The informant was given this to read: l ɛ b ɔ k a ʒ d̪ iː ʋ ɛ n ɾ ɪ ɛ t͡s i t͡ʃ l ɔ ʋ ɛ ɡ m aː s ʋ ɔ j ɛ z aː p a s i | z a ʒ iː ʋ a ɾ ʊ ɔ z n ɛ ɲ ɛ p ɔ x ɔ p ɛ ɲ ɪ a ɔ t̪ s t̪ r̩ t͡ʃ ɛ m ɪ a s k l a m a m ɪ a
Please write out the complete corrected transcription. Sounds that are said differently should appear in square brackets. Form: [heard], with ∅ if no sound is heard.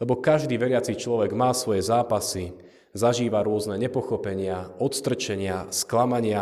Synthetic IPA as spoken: l ɛ b ɔ k a ʒ d̪ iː ʋ ɛ [∅] ɾ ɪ [a] t͡s i t͡ʃ l ɔ ʋ ɛ ɡ m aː s ʋ ɔ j ɛ z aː p a s i | z a ʒ iː ʋ a ɾ ʊ ɔ z n ɛ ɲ ɛ p ɔ x ɔ p ɛ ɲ ɪ a ɔ t̪ s t̪ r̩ t͡ʃ ɛ [ɲ] ɪ a s k l a m a [ɲ] ɪ a